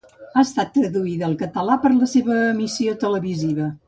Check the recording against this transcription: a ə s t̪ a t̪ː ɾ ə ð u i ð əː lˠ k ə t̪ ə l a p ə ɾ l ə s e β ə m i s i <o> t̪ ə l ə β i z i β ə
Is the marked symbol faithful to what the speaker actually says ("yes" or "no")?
yes